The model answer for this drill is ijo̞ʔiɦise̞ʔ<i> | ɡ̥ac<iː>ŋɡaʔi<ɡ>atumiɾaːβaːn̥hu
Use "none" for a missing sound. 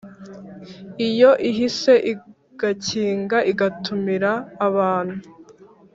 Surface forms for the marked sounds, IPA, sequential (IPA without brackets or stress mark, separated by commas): i, iː, ɡ